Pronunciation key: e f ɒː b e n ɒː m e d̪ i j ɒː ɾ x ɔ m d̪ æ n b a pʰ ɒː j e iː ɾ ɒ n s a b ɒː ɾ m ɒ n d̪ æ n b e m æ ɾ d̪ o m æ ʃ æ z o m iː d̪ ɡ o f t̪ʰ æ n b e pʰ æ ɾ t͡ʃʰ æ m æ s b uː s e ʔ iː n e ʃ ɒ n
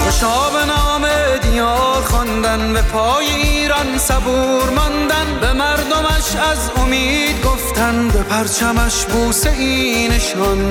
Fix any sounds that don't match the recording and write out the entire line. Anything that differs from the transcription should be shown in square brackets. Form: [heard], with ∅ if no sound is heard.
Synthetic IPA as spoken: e [ʃ] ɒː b e n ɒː m e d̪ i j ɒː ɾ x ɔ [n] d̪ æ n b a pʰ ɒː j e iː ɾ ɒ n s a b [uː] ɾ m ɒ n d̪ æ n b e m æ ɾ d̪ o m æ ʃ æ z o m iː d̪ ɡ o f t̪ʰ æ n b e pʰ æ ɾ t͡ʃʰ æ m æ [ʃ] b uː s e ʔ iː n e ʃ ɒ n